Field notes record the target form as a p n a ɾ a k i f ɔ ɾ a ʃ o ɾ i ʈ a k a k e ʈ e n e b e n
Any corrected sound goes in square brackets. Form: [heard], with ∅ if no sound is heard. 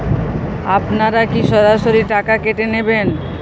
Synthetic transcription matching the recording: a p n a ɾ a k i [ʃ] ɔ ɾ a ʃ o ɾ i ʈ a k a k e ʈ e n e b e n